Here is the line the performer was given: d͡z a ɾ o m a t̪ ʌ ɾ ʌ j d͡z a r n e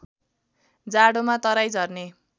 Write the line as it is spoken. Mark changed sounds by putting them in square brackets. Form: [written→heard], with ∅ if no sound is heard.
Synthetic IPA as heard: d͡z a [ɾ→ɽ] o m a t̪ ʌ ɾ [ʌ→a] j d͡z [a→ʌ] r n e